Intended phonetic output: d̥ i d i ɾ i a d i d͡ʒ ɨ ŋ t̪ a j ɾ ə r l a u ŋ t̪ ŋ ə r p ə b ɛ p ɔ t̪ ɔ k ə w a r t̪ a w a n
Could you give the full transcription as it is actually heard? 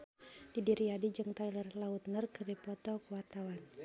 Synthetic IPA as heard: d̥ i d i ɾ i a d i d͡ʒ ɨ ŋ t̪ a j l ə r l a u t̪ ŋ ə r k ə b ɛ p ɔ t̪ ɔ k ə w a r t̪ a w a n